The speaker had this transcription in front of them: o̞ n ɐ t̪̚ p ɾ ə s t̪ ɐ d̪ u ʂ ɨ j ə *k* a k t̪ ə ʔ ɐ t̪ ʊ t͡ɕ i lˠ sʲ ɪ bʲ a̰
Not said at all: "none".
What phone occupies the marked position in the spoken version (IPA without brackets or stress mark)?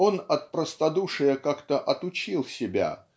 k